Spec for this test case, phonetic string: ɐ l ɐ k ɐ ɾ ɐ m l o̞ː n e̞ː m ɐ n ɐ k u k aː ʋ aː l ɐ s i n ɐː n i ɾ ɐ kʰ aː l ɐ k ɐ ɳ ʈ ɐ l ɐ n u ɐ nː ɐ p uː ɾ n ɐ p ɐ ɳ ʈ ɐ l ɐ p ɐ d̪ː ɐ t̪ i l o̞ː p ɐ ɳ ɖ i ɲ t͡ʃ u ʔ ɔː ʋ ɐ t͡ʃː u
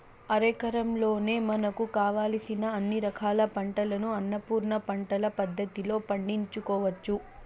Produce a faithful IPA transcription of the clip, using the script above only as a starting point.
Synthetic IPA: ɐ ɾ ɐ k ɐ ɾ ɐ m l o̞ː n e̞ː m ɐ n ɐ k u k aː ʋ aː l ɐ s i n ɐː nː i ɾ ɐ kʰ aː l ɐ p ɐ ɳ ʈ ɐ l ɐ n u ɐ nː ɐ p uː ɾ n ɐ p ɐ ɳ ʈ ɐ l ɐ p ɐ d̪ː ɐ t̪ i l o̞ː p ɐ ɳ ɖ i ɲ t͡ʃ u k ɔː ʋ ɐ t͡ʃː u